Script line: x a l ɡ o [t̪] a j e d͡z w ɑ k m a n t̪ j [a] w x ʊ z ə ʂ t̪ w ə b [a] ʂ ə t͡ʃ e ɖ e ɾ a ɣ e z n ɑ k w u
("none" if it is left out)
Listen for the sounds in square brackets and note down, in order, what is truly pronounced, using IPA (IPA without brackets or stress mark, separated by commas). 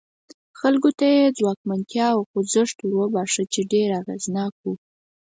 t̪, ɑ, ɑ